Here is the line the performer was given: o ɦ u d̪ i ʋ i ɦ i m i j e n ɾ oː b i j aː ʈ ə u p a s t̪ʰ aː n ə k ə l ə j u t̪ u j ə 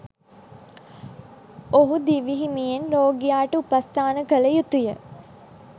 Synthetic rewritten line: o ɦ u d̪ i ʋ i ɦ i m i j e n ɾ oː ɡ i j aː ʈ ə u p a s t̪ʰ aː n ə k ə l ə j u t̪ u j ə